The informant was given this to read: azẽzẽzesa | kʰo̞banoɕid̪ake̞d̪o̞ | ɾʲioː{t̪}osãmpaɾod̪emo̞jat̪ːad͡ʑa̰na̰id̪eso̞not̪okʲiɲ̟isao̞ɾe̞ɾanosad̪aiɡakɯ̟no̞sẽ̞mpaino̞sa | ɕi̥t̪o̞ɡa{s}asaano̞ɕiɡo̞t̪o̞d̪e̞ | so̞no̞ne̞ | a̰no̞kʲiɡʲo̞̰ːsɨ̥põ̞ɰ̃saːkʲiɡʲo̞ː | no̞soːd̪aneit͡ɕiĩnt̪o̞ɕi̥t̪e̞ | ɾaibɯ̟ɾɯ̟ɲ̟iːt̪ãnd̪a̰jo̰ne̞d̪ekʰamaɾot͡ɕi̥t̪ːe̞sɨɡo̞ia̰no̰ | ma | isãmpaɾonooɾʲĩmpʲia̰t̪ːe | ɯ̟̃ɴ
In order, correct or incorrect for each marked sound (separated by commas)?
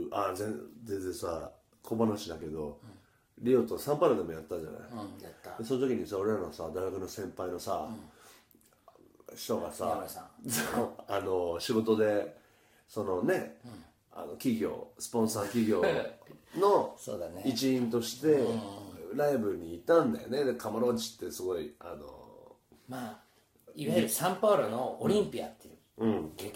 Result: correct, correct